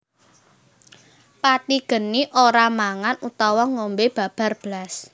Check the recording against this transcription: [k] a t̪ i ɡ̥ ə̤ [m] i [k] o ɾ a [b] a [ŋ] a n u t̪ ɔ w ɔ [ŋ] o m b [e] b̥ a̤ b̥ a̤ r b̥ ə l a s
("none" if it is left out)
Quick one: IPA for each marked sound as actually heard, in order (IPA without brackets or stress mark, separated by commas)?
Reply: p, n, ʔ, m, ŋ, ŋ, e